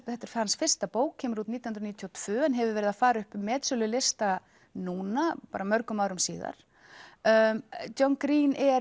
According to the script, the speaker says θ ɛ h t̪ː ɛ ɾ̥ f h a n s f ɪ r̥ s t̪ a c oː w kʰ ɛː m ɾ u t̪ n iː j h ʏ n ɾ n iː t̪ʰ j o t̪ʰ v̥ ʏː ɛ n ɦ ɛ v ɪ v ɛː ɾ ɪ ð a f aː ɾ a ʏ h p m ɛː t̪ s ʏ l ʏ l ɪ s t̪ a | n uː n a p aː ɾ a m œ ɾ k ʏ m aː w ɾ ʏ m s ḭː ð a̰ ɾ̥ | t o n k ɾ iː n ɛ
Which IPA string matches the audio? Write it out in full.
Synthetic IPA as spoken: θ ɛ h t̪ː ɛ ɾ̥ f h a n s f ɪ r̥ s t̪ a p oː w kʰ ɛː m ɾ u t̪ n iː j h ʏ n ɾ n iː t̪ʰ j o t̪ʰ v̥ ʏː ɛ n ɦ ɛ v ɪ v ɛː ɾ ɪ ð a f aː ɾ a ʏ h p m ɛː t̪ s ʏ l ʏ l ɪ s t̪ a | n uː n a p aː ɾ a m œ ɾ k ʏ m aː w ɾ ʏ m s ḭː ð a̰ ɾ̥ | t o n k ɾ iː n ɛ